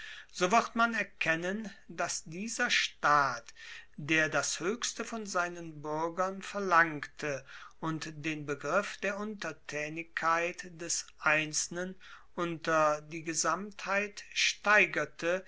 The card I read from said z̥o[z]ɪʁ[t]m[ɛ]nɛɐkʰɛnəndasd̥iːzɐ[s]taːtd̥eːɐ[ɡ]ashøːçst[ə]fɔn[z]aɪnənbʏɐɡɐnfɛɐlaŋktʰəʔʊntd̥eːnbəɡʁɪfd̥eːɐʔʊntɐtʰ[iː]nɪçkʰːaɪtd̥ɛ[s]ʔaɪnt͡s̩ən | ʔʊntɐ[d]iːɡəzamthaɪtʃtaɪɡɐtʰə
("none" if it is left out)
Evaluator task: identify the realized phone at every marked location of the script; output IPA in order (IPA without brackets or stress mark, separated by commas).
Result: v, t, a, ʃ, d, ə, z, ɛː, s, d